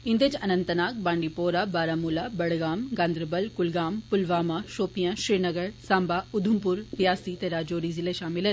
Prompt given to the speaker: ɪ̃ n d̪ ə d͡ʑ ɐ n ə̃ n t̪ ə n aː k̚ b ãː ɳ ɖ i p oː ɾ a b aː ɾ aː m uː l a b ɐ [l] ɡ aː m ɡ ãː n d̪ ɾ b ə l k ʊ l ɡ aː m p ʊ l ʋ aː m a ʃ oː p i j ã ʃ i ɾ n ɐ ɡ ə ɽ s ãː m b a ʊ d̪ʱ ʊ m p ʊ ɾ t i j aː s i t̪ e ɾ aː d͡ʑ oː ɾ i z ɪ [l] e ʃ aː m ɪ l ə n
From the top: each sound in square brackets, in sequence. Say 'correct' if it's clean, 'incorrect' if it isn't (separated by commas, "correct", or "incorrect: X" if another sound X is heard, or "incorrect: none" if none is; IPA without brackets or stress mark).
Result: incorrect: ɽ, correct